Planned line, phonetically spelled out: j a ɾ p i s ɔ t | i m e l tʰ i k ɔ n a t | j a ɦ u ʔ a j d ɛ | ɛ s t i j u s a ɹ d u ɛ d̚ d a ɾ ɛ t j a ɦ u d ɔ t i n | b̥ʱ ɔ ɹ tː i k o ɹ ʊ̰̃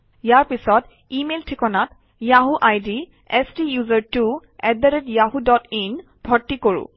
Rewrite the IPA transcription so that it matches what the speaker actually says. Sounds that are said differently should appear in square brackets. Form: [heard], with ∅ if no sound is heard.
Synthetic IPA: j a [ɹ] p i s ɔ t | i m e l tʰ i k ɔ n a t | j a ɦ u ʔ a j d [i] | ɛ s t i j u [z] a ɹ [t] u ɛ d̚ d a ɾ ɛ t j a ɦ u d ɔ t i n | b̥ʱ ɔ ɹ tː i k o ɹ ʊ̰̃